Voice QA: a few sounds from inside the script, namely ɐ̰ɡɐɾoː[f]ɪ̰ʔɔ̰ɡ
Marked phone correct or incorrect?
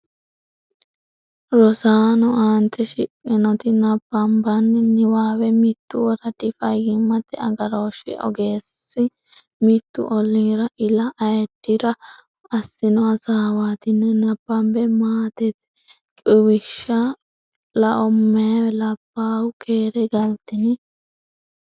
incorrect